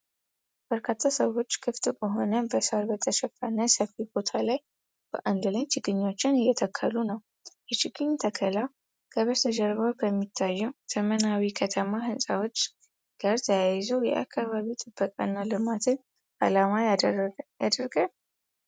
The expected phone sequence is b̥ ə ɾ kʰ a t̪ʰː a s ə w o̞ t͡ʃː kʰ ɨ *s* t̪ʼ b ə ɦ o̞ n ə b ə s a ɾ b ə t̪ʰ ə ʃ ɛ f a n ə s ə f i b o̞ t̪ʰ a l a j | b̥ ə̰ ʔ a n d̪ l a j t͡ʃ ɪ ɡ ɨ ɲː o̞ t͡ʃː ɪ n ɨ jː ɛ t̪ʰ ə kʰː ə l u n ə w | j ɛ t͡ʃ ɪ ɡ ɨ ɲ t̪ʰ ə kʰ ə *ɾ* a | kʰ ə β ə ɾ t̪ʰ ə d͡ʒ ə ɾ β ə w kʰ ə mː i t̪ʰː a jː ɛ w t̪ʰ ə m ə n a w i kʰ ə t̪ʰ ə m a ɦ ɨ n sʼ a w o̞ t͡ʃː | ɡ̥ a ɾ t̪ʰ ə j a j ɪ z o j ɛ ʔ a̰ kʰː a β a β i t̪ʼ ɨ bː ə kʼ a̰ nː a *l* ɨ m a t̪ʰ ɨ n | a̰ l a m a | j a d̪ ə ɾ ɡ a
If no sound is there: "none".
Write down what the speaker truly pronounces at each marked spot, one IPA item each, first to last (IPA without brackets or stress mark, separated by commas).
f, l, l